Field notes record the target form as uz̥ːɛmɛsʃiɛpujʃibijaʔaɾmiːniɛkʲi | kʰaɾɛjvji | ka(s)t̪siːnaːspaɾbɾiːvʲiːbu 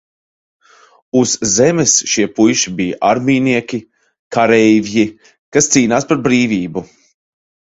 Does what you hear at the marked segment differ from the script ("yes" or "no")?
no